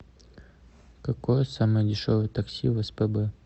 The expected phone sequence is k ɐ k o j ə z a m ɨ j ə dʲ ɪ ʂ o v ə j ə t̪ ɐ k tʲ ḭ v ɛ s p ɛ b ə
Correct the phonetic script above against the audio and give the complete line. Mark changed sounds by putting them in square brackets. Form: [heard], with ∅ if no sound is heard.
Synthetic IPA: k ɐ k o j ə [s] a m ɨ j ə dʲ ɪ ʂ o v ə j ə t̪ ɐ k [sʲ] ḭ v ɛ s p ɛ b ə